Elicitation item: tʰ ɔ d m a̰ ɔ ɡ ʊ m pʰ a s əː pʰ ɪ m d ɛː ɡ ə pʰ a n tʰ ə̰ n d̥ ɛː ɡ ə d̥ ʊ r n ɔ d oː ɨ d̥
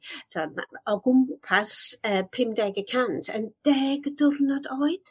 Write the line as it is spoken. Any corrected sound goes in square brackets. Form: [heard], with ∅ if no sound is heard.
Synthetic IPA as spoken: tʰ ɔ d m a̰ ɔ ɡ ʊ m pʰ a s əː pʰ ɪ m d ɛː ɡ ə [kʰ] a n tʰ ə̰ n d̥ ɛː ɡ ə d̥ ʊ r n ɔ d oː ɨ d̥